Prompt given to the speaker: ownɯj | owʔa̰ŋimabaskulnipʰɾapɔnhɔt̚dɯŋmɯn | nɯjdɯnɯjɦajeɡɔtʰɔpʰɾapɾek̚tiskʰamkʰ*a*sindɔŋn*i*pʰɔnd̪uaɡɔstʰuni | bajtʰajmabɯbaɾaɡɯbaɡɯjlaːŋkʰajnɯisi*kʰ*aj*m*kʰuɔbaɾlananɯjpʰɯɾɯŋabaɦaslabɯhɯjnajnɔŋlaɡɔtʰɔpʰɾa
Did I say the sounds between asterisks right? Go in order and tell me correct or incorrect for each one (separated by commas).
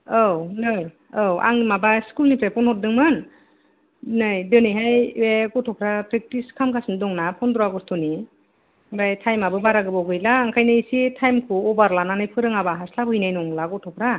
correct, incorrect, incorrect, correct